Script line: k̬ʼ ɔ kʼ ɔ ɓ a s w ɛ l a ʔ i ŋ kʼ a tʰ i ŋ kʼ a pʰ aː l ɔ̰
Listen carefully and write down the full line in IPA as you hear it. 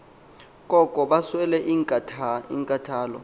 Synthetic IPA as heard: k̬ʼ ɔ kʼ ɔ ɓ a s w ɛ l ɛ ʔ i ŋ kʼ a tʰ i ŋ kʼ a tʰ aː l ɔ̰